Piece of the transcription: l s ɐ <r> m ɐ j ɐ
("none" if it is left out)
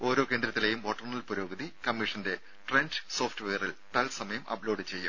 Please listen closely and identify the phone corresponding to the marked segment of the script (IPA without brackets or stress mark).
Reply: none